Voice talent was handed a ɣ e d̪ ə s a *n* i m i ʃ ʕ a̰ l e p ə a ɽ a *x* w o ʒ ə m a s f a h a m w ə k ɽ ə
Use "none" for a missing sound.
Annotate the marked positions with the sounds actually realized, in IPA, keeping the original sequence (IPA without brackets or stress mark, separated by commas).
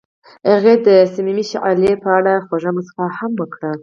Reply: m, x